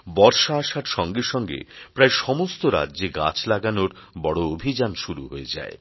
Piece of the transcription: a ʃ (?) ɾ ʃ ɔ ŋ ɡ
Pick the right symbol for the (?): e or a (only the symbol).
a